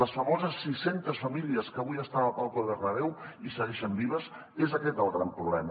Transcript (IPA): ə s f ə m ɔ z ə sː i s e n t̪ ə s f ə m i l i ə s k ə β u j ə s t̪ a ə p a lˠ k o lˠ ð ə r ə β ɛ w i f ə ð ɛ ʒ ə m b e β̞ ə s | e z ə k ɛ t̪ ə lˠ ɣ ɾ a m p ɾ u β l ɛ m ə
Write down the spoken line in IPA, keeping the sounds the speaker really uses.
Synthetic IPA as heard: ə s f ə m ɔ z ə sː i s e n t̪ ə s f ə m i l i ə s k ə β u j ə s t̪ a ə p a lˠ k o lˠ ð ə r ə β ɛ w i s ə ɣ ɛ ʃ ə m b i β̞ ə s | e z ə k ɛ t̪ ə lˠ ɣ ɾ a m p ɾ u β l ɛ m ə

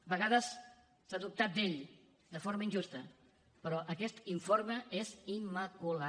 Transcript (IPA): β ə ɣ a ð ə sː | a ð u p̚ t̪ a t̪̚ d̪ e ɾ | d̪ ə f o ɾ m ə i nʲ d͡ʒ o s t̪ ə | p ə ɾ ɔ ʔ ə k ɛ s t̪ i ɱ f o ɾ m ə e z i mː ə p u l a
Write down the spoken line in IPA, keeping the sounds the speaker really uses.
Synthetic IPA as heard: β ə ɣ a ð ə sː | a ð u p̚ t̪ a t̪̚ d̪ e ʎ | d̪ ə f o ɾ m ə i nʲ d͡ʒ u s t̪ ə | p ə ɾ ɔ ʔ ə k ɛ s t̪ i ɱ f o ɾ m ə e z i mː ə k u l a

